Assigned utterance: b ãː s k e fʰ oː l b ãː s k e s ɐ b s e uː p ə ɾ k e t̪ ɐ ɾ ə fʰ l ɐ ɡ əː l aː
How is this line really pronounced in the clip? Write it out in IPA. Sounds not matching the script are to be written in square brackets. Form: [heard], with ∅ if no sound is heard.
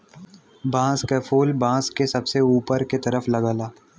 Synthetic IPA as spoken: b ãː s k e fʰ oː l b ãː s k e s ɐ b s e uː p ə ɾ k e t̪ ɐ ɾ ə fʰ l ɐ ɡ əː l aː